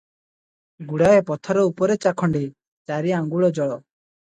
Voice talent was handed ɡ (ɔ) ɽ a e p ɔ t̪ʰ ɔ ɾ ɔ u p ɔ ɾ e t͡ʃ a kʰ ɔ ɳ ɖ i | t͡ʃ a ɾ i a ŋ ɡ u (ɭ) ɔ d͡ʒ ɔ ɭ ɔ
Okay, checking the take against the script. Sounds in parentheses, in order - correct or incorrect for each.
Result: incorrect: u, correct

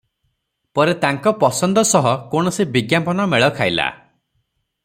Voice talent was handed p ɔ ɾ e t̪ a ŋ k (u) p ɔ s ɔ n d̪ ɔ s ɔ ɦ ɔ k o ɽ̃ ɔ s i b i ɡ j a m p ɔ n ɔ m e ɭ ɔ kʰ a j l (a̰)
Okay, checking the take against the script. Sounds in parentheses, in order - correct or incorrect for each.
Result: incorrect: ɔ, correct

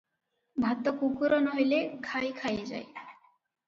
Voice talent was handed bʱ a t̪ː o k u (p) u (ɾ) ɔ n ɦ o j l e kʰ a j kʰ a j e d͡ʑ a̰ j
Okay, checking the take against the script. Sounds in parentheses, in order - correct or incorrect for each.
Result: incorrect: k, correct

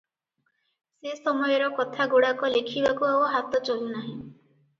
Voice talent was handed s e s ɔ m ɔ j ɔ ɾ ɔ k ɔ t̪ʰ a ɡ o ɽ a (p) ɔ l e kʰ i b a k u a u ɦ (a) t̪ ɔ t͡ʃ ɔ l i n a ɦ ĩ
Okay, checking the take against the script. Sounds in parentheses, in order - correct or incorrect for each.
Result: incorrect: k, correct

